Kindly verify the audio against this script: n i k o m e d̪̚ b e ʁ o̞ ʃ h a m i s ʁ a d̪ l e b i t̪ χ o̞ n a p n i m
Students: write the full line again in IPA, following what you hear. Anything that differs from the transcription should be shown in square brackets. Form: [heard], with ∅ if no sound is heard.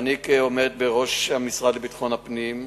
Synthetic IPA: n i k o m e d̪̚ b e ʁ o̞ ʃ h a m i s ʁ a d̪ l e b i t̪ χ o̞ n a p n i m